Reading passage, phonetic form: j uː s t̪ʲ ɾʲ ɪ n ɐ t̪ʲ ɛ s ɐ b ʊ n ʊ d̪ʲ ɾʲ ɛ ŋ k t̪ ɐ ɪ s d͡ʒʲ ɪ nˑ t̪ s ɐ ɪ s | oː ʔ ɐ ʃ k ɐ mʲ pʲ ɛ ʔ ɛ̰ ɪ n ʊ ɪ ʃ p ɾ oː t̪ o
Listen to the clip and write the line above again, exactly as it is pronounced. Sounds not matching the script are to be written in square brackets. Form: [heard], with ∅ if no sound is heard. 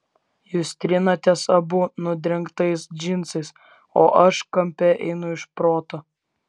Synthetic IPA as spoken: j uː s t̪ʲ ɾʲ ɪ n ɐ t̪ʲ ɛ s ɐ b ʊ n ʊ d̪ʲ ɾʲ ɛ ŋ k t̪ ɐ ɪ s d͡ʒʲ ɪ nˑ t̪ s ɐ ɪ s | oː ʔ ɐ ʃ k ɐ mʲ pʲ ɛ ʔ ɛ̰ ɪ n ʊ ɪ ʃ p ɾ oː t̪ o